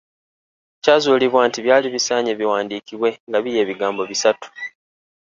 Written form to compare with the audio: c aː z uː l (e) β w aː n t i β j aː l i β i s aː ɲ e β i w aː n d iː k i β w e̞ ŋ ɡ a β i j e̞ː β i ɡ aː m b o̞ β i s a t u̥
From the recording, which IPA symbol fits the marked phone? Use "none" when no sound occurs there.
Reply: i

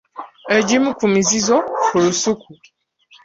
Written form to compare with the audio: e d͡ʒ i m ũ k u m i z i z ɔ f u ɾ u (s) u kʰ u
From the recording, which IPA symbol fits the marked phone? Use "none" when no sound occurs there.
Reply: s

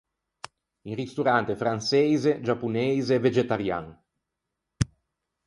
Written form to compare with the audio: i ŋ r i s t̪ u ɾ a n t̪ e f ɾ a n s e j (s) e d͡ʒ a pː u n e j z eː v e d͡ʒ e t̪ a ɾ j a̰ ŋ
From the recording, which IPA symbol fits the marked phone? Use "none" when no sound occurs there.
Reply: z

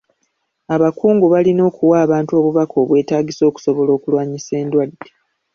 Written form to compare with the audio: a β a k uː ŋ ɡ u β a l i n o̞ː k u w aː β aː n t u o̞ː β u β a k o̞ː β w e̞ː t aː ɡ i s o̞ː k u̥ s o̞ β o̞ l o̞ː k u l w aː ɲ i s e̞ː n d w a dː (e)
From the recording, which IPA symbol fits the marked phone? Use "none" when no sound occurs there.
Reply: e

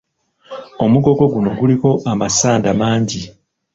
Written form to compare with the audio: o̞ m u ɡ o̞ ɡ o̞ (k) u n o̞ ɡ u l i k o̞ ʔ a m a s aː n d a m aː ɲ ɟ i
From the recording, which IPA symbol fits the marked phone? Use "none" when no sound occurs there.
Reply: ɡ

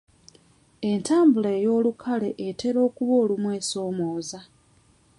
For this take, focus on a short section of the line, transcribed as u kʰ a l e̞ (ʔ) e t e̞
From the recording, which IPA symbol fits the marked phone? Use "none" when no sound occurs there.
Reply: ʔ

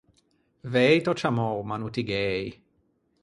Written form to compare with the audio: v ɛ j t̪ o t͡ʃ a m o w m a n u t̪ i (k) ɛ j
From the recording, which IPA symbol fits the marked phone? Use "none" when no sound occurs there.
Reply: ɡ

